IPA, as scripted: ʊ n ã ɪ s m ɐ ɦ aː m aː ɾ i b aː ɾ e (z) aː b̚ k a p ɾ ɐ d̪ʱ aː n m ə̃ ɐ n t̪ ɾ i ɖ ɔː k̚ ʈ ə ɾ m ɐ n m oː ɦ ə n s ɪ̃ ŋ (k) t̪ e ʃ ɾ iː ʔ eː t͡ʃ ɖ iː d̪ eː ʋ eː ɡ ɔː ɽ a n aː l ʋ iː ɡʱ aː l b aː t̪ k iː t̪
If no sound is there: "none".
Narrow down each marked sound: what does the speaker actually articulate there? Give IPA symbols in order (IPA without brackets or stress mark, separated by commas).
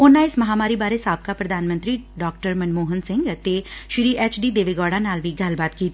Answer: s, ɡ